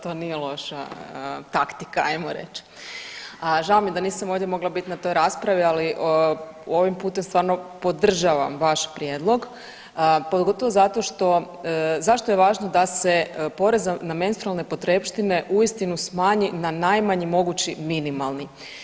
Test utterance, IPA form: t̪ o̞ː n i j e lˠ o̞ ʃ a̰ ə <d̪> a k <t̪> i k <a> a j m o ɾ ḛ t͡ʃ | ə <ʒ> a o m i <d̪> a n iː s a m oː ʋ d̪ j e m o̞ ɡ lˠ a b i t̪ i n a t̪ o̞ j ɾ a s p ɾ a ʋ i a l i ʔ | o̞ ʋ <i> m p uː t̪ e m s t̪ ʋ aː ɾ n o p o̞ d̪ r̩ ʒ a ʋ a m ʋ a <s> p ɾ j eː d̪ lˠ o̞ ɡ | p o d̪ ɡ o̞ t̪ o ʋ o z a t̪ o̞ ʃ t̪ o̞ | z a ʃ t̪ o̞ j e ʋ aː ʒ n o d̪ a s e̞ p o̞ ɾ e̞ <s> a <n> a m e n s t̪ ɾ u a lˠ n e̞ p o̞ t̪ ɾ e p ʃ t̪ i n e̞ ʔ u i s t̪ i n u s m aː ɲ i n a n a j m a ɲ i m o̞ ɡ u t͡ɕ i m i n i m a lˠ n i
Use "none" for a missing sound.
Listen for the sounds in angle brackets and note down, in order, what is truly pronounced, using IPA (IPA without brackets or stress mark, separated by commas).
t̪, t̪, a, ʒ, d̪, i, ʃ, z, n